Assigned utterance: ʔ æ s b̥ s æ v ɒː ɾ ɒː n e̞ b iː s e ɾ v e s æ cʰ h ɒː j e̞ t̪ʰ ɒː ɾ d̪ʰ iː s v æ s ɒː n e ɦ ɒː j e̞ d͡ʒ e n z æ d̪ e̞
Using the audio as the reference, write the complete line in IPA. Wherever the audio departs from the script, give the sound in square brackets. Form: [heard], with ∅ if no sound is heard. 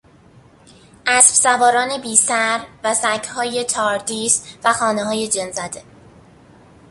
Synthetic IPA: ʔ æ s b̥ s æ v ɒː ɾ ɒː n e̞ b iː s [æ] ɾ v [æ] s æ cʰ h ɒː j e̞ t̪ʰ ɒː ɾ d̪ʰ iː s v æ [x] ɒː n e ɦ ɒː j e̞ d͡ʒ e n z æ d̪ e̞